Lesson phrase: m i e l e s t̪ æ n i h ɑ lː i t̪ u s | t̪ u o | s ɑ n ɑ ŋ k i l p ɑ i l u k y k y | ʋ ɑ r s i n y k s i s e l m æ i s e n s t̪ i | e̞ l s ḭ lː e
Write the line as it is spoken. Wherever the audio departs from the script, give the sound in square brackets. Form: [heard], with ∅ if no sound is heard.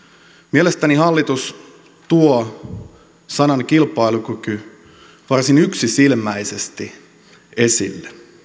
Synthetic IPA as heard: m i e l e s t̪ æ n i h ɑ lː i t̪ u s | t̪ u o | s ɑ n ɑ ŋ k i l p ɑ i l u k y k y | ʋ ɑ r s i n y k s i s [i] l m æ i s e [∅] s t̪ i | e̞ [∅] s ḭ lː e